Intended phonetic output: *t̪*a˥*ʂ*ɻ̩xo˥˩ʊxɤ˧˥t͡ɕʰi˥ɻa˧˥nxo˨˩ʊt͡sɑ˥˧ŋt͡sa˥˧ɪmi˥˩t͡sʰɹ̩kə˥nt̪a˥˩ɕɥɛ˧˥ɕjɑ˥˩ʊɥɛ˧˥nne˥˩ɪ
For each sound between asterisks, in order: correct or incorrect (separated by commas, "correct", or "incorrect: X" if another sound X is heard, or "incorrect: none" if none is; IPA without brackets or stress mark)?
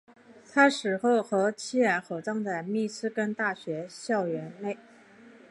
incorrect: t̪ʰ, correct